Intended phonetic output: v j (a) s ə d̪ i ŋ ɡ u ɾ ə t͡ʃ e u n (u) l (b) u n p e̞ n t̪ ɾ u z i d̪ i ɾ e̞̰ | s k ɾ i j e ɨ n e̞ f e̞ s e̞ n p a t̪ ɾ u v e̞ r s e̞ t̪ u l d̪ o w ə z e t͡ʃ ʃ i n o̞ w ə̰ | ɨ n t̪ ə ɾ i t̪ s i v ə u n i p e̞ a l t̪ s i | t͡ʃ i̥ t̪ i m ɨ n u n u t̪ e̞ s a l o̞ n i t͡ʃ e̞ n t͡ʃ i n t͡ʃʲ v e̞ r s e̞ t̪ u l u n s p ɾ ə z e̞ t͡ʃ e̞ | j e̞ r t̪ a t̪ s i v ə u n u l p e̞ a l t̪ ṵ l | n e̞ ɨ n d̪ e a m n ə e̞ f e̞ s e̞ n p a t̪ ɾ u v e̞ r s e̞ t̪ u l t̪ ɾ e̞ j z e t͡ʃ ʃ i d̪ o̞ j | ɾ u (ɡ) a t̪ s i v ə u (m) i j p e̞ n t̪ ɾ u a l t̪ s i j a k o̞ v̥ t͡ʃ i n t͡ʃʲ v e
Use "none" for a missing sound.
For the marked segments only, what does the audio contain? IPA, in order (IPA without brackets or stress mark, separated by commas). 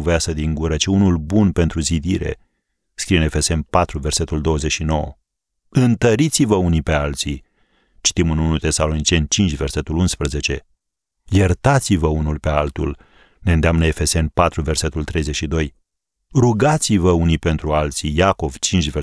a, u, b, ɡ, n